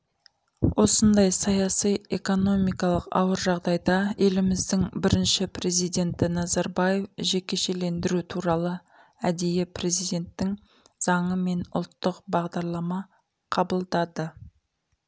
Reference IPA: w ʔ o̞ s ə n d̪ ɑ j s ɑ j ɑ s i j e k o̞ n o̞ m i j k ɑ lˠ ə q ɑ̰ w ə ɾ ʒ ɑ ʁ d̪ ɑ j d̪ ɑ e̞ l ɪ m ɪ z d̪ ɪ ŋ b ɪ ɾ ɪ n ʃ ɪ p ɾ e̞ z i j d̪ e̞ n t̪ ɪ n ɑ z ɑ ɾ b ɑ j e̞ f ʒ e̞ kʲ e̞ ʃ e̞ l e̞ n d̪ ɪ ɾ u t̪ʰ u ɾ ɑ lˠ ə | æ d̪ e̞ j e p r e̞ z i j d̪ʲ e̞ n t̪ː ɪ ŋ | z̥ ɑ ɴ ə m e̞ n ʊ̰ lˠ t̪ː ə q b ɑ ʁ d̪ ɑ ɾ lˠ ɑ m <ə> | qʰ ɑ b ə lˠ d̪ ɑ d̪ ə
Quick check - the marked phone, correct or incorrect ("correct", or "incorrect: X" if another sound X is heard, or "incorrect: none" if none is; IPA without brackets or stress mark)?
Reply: incorrect: ɑ